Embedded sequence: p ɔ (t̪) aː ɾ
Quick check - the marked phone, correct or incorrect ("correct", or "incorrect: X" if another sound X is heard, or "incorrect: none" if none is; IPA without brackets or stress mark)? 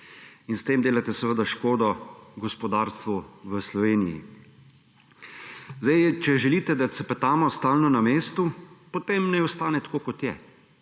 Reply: incorrect: d̪